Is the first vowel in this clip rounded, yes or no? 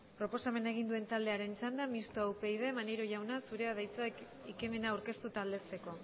yes